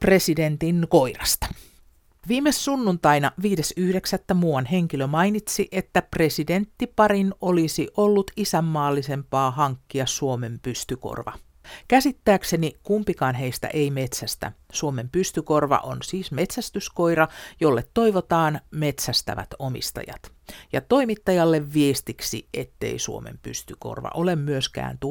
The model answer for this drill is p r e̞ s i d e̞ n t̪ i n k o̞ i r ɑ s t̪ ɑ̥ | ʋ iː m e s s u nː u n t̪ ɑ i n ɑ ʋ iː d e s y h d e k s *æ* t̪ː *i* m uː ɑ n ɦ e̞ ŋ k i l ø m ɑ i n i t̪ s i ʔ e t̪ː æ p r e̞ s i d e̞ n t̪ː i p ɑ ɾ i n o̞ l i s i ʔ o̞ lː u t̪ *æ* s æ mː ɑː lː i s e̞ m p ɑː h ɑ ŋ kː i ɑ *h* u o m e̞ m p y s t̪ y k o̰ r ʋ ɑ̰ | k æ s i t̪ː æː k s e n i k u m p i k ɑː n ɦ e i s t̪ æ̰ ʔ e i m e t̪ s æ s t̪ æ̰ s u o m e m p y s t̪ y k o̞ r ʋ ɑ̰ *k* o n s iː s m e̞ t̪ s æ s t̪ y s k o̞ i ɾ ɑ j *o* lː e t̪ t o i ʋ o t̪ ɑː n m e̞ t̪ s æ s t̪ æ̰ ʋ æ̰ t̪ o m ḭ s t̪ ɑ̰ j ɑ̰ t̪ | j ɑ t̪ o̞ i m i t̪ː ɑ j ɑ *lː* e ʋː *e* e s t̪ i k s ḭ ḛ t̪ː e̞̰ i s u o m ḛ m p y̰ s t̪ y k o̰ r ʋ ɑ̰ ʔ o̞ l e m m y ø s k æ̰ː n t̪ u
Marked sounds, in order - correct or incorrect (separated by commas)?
correct, incorrect, incorrect, incorrect, incorrect, correct, correct, incorrect